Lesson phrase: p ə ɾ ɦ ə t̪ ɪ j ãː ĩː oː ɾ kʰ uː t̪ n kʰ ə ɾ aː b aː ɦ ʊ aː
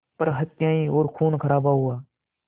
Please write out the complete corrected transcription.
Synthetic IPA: p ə ɾ ɦ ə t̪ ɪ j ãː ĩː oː ɾ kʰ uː n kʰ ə ɾ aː b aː ɦ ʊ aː